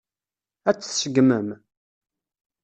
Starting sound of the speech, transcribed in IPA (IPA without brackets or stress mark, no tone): æ